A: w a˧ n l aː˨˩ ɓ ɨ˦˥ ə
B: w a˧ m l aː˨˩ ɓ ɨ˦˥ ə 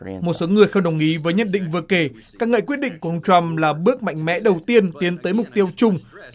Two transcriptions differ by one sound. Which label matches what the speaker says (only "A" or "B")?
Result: B